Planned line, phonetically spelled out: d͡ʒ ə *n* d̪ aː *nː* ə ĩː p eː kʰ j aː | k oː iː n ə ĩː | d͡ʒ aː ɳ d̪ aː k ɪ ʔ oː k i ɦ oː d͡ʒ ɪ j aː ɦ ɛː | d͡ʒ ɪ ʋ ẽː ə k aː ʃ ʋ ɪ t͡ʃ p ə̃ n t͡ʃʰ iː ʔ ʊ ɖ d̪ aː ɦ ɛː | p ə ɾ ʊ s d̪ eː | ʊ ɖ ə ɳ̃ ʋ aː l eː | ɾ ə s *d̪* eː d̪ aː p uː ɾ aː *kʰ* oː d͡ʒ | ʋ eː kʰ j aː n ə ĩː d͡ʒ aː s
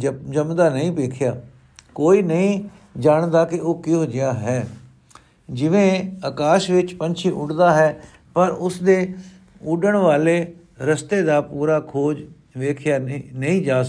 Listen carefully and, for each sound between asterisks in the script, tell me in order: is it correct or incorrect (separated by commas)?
incorrect, incorrect, incorrect, correct